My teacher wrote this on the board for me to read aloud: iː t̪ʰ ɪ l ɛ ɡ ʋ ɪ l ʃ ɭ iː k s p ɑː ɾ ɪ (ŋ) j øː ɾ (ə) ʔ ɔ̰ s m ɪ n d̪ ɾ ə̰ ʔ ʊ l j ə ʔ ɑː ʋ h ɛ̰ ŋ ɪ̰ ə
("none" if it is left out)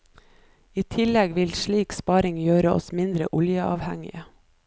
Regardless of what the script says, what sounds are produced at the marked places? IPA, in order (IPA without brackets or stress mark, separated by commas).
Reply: ŋ, ə